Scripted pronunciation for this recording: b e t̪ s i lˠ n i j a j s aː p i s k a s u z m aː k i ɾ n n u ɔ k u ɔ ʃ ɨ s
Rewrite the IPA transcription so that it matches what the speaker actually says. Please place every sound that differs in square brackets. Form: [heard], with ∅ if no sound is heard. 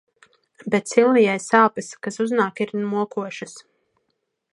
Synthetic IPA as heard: b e t̪ s i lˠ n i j a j s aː p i s k a s u z [n] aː k i ɾ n [m] u ɔ k u ɔ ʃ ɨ s